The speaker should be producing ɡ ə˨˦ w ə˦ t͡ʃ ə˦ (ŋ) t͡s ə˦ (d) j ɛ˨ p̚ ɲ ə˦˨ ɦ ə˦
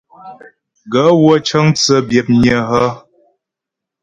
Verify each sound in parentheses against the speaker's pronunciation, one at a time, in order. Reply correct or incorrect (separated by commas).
correct, incorrect